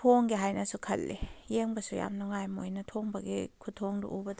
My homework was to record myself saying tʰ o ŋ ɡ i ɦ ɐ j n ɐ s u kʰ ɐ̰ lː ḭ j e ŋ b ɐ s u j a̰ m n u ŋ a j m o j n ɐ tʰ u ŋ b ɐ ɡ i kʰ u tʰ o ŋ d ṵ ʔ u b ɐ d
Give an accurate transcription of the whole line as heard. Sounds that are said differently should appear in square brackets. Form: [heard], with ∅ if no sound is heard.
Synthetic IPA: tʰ o ŋ ɡ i ɦ [a] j n ɐ s u kʰ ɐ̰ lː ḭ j e ŋ b ɐ s u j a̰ m n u ŋ a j m o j n ɐ tʰ [o] ŋ b ɐ ɡ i kʰ u tʰ o ŋ d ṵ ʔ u b ɐ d